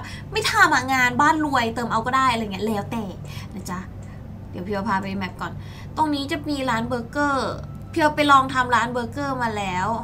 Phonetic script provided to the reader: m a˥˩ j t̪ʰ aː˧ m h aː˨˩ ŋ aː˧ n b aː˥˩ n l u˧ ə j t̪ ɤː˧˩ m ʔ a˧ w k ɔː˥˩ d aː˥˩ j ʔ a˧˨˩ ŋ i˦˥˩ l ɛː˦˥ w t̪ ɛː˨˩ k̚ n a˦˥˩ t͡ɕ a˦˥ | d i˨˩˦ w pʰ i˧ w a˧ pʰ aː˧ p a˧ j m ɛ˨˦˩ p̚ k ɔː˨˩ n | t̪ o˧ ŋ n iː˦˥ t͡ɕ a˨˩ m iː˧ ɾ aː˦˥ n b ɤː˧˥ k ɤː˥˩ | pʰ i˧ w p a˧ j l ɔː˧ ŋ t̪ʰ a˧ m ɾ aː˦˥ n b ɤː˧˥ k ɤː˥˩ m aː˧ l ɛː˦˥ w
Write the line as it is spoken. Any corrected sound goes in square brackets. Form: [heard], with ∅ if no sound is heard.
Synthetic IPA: m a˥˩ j t̪ʰ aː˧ m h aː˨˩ ŋ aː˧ n b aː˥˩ n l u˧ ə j t̪ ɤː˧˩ m ʔ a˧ w k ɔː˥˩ d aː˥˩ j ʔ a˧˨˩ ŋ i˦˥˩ l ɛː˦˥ w t̪ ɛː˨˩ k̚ n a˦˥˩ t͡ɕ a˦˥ | d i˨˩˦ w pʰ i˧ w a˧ pʰ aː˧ p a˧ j m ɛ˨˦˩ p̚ k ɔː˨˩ n | t̪ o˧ ŋ n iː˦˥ t͡ɕ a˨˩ m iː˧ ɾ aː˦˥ n b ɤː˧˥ k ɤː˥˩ | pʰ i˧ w p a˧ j l ɔː˧ ŋ t̪ʰ a˧ m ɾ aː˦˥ n b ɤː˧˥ k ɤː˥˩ m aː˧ l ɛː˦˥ w